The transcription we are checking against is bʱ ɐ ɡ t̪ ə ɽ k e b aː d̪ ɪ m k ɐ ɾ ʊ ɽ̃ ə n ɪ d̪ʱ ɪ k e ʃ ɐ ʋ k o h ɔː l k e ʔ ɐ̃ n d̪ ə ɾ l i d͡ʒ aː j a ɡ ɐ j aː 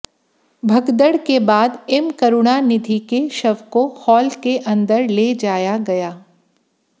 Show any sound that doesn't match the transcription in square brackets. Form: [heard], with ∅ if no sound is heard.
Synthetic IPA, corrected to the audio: bʱ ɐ ɡ [d̪] ə ɽ k e b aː d̪ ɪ m k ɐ ɾ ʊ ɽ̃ [a] n ɪ d̪ʱ [i] k e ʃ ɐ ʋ k o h ɔː l k e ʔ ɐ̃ n d̪ ə ɾ l [e] d͡ʒ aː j a ɡ ɐ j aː